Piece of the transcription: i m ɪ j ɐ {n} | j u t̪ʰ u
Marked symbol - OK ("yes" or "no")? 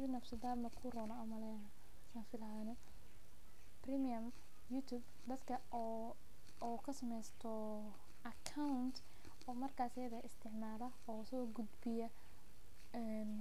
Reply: no